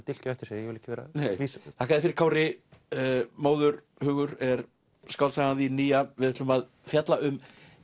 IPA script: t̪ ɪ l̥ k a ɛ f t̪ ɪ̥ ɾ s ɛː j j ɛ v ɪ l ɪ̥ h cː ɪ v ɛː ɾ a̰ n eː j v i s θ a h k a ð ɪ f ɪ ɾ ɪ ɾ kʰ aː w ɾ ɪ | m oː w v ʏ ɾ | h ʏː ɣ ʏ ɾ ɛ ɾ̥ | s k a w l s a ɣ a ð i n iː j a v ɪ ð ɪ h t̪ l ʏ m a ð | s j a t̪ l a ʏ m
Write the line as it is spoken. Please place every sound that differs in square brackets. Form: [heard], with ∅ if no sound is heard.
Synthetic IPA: t̪ ɪ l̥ [c] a ɛ f t̪ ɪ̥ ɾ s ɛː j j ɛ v ɪ l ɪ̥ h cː ɪ v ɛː ɾ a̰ n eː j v i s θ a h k a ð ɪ f ɪ ɾ ɪ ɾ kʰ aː w ɾ ɪ | m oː w [ð] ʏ ɾ | h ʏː ɣ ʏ ɾ ɛ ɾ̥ | s k a w l s a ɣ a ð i n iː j a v ɪ ð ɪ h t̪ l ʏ m a ð | [f] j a t̪ l a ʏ m

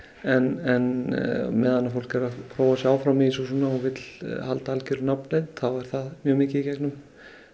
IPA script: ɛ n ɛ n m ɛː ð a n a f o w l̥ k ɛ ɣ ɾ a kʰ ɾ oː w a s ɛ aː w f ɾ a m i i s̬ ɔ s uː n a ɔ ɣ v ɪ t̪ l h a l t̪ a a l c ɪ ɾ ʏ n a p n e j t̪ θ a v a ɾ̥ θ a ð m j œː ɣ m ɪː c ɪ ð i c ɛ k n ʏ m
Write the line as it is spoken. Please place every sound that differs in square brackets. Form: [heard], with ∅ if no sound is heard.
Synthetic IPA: ɛ n ɛ n m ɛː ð a n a f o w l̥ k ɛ [∅] ɾ a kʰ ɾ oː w a s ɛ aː w f ɾ a m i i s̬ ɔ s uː n a ɔ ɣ v ɪ t̪ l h a l t̪ a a l c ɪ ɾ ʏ n a p n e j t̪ θ a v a ɾ̥ θ a ð m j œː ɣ m ɪː c ɪ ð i c ɛ k n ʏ m

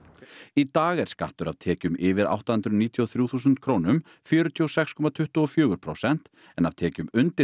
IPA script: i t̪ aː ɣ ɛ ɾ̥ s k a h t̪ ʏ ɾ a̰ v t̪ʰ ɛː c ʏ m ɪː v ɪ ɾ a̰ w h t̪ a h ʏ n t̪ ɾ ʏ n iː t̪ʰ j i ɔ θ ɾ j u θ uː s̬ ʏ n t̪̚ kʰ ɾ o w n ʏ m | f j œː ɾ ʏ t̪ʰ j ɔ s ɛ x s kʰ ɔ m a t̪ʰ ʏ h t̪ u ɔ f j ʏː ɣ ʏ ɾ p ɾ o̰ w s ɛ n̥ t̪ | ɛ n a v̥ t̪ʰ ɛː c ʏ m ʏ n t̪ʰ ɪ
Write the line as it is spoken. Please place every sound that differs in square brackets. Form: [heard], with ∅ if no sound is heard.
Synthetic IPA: i t̪ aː ɣ ɛ ɾ̥ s k a h t̪ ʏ ɾ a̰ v t̪ʰ ɛː c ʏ m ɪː v ɪ ɾ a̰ w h t̪ a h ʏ n t̪ ɾ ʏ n iː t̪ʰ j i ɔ θ ɾ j u θ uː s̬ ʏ n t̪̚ kʰ ɾ o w n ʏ m | f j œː ɾ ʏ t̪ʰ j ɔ s ɛ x s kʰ ɔ m a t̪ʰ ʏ h t̪ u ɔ f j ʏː ɣ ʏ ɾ [pʰ] ɾ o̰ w s ɛ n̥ t̪ | ɛ n a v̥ t̪ʰ ɛː c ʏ m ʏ n [t̪] ɪ

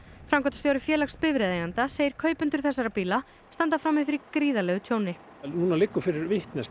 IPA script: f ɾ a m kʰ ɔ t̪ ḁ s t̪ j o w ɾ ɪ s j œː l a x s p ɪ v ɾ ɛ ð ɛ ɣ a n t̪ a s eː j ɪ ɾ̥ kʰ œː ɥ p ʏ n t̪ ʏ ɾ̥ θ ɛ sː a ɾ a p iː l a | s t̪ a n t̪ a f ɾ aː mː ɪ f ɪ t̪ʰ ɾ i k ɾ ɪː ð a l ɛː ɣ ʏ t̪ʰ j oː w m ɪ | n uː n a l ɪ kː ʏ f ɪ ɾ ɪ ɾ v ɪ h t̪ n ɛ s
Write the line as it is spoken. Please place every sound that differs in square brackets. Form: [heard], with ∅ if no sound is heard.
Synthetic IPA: f ɾ a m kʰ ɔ t̪ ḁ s t̪ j o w ɾ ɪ [f] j [ɛː] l a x s p ɪ v ɾ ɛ ð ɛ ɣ a n t̪ a s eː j ɪ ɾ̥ kʰ œː ɥ p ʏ n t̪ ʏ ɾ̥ θ ɛ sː a ɾ a p iː l a | s t̪ a n t̪ a f ɾ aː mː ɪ f ɪ [∅] ɾ i k ɾ [iː] ð a l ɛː ɣ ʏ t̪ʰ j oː w [n] ɪ | n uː n a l ɪ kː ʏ f ɪ ɾ ɪ ɾ v ɪ h t̪ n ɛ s

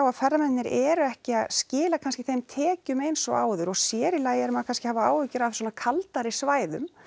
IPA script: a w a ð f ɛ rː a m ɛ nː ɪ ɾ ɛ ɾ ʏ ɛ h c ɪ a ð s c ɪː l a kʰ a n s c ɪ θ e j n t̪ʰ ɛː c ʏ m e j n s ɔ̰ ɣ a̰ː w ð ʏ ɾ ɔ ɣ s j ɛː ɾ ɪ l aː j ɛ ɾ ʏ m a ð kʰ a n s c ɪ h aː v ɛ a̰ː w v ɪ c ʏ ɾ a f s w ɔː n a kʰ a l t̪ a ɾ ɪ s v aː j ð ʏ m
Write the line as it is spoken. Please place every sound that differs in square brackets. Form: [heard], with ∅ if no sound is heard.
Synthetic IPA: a w a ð f ɛ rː a m ɛ nː ɪ ɾ ɛ ɾ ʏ ɛ h c ɪ a ð s c ɪː l a kʰ a n s c ɪ θ e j [m] t̪ʰ ɛː c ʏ m e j n s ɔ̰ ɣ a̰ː w ð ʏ ɾ ɔ ɣ s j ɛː ɾ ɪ l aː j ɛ ɾ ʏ m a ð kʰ a n s c ɪ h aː v [a] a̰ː w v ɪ c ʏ ɾ a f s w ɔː n a kʰ a l t̪ a ɾ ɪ s v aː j ð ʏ m

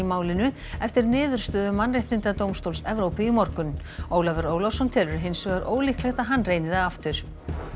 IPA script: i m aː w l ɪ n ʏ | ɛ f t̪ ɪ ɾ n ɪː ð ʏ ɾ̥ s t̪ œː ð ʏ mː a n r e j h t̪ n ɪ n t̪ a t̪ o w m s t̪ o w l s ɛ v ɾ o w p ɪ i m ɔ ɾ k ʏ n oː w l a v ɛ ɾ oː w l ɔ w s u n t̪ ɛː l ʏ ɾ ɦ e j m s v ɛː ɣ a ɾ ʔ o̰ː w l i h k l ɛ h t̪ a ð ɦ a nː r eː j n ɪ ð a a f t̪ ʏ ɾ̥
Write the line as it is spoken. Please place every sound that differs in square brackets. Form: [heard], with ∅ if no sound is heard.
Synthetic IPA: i m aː w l ɪ n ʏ | ɛ f t̪ ɪ ɾ n ɪː ð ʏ ɾ̥ s t̪ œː ð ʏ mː a n r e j h t̪ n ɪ n t̪ a t̪ o w m s t̪ o w l s ɛ v ɾ o w p ɪ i m ɔ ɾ k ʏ n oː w l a v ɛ ɾ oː w l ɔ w s [ɔ] n [t̪ʰ] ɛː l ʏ ɾ ɦ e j [n] s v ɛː ɣ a ɾ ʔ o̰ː w l i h k l ɛ [x] t̪ a ð ɦ a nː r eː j n ɪ ð a a f t̪ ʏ ɾ̥

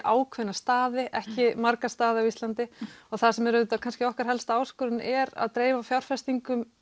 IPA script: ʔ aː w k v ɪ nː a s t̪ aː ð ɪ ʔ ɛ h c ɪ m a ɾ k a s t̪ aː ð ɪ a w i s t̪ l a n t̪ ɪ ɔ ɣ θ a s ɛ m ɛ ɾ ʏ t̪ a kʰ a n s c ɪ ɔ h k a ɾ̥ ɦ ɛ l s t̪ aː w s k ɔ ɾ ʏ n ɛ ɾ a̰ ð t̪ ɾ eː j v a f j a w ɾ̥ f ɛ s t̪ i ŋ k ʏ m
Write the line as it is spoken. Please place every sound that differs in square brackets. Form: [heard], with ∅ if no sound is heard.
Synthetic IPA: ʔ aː w [kʰ] v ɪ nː a s t̪ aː ð ɪ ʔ ɛ h c ɪ m a ɾ k a s t̪ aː ð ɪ a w i s t̪ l a n t̪ ɪ ɔ ɣ θ a s ɛ m ɛ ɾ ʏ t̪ a kʰ a n s c ɪ ɔ h k a ɾ̥ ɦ ɛ l s t̪ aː w s k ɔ ɾ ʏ n ɛ ɾ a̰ ð t̪ ɾ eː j v a f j a w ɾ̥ f ɛ s t̪ i ŋ k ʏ m

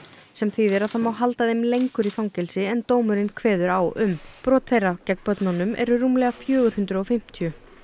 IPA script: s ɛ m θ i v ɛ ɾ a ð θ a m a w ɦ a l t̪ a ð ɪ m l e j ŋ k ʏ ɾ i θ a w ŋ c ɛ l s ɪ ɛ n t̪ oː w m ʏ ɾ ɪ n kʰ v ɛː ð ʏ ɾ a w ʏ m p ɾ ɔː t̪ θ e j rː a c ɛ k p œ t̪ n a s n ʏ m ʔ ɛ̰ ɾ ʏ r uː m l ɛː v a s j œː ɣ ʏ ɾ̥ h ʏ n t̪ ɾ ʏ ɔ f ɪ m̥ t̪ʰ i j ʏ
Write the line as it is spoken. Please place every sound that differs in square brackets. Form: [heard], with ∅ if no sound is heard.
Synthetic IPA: s ɛ m θ i [ð] ɛ ɾ a ð θ a m a w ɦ a l t̪ a ð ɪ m l e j ŋ k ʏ ɾ i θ a w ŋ c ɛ l s ɪ ɛ n t̪ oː w m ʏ ɾ ɪ n kʰ v ɛː ð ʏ ɾ a w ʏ m p ɾ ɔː t̪ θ e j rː a c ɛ k p œ t̪ n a [∅] n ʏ m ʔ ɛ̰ ɾ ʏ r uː m l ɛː [ɣ] a [f] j œː ɣ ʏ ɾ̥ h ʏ n t̪ ɾ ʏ ɔ f ɪ m̥ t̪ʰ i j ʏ

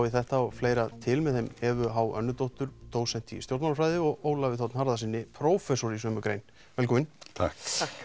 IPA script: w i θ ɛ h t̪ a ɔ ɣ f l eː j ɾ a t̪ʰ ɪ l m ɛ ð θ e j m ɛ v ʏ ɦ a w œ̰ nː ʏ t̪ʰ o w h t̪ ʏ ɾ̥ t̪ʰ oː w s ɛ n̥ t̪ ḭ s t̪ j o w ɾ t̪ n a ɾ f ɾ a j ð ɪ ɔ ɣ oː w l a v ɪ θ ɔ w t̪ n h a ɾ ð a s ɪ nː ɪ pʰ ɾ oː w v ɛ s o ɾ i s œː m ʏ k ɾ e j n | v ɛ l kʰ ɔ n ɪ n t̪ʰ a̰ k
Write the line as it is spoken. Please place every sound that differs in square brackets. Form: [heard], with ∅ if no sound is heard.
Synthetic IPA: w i θ ɛ h t̪ a ɔ ɣ f l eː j ɾ a t̪ʰ ɪ l m ɛ ð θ e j m ɛ v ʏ ɦ a w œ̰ nː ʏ [t̪] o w h t̪ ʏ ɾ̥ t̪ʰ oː w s ɛ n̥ t̪ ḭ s t̪ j o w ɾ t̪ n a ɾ f ɾ a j ð ɪ ɔ ɣ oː w l a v ɪ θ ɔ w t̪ n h a ɾ ð a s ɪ nː ɪ pʰ ɾ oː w [f] ɛ s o ɾ i s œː m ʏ k ɾ e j n | v ɛ l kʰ ɔ [m] ɪ n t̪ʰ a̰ k

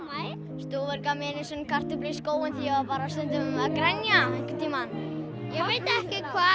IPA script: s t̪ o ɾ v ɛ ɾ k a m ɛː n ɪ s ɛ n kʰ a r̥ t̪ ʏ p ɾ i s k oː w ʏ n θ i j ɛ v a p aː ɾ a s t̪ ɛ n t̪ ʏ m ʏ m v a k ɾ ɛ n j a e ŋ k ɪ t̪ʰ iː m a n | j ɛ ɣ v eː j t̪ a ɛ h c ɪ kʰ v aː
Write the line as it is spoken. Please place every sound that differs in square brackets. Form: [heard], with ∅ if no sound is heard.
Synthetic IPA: s t̪ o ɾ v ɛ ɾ k a m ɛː n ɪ s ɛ n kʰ a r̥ t̪ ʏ p [l] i s k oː w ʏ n θ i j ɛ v a p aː ɾ a s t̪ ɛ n t̪ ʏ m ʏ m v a k ɾ ɛ n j a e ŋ k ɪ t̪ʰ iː m a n | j ɛ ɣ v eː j t̪ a ɛ h c ɪ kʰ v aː

